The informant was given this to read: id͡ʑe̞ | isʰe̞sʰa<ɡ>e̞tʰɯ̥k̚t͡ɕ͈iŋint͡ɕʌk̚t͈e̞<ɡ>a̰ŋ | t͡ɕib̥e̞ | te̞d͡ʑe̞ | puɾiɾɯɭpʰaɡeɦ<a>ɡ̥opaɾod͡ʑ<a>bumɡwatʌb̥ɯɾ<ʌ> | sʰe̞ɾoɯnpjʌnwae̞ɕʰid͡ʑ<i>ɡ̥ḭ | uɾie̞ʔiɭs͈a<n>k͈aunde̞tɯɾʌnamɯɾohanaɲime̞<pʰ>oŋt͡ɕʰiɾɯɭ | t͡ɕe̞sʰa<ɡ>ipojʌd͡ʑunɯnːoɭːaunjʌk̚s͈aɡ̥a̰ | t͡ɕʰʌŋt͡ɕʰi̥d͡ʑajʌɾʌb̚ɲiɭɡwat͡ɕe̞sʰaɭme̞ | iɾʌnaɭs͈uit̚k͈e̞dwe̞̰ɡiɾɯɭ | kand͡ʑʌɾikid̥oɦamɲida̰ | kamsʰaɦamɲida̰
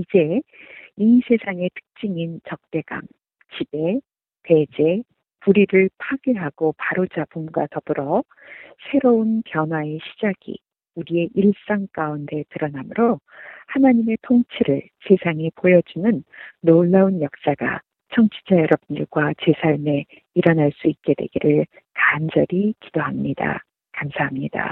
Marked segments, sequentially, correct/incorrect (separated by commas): incorrect, correct, correct, correct, correct, incorrect, incorrect, incorrect, incorrect